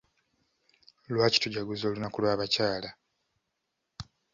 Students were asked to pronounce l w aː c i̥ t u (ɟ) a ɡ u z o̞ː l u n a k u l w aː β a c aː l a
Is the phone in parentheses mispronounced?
no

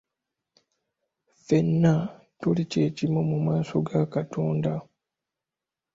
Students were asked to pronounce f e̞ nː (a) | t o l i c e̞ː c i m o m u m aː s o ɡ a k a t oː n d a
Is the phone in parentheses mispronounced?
no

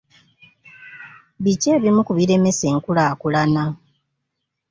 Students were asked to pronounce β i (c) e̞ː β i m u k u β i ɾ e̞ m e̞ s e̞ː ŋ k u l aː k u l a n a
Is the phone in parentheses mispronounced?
no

